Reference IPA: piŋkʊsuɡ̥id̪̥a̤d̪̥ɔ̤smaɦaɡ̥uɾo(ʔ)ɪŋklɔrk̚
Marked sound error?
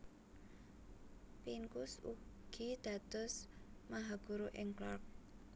no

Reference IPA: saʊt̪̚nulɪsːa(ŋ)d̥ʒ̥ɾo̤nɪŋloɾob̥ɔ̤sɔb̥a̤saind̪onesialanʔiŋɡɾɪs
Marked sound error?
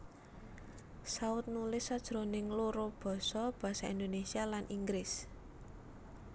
yes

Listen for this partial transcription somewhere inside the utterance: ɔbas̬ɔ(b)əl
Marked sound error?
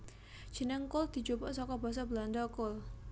no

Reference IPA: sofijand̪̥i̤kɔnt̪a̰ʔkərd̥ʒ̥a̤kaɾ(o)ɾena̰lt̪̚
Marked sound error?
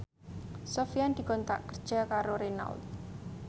no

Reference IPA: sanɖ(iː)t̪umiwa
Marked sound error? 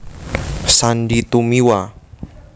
yes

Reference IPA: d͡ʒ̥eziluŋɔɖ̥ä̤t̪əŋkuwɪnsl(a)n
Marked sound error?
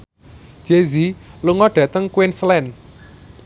yes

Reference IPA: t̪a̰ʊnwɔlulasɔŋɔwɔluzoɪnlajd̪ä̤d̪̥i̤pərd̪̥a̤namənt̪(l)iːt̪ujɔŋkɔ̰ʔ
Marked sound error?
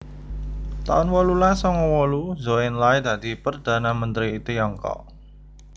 yes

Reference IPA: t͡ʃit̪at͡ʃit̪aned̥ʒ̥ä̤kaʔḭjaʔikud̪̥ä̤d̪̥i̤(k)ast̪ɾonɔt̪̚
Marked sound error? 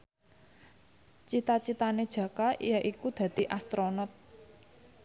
yes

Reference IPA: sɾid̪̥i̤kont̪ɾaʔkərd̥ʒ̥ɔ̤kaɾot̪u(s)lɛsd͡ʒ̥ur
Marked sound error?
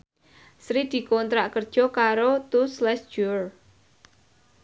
no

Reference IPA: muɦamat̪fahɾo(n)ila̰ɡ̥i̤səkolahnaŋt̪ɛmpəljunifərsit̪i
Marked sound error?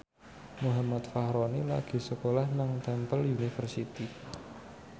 no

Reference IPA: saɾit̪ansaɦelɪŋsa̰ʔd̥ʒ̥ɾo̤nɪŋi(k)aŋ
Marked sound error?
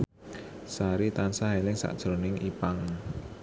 yes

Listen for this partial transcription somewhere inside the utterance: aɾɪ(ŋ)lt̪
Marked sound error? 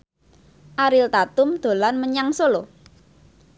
yes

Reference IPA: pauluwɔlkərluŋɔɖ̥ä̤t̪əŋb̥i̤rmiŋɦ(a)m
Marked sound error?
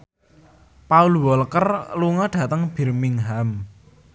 no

